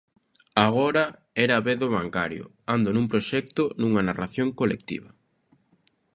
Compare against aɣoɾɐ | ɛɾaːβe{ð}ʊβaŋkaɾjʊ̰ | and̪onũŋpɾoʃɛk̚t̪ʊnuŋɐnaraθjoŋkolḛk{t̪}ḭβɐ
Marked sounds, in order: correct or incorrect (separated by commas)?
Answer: correct, correct